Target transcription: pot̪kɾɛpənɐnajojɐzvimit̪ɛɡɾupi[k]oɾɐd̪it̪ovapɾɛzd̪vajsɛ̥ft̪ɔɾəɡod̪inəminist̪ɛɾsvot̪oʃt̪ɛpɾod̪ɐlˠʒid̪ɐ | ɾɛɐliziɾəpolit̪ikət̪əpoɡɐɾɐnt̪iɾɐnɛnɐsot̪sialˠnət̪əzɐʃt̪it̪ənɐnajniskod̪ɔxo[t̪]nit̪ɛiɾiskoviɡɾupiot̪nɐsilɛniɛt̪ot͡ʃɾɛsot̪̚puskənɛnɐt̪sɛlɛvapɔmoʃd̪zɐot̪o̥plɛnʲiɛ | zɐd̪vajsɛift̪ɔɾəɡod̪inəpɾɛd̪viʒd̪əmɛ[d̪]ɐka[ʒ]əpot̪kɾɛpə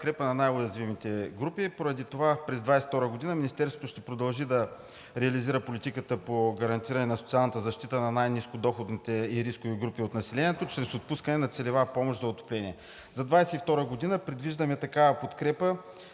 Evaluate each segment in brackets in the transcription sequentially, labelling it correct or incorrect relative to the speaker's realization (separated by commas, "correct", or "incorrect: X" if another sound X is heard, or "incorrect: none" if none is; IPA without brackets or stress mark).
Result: incorrect: p, incorrect: d̪, incorrect: t̪, incorrect: v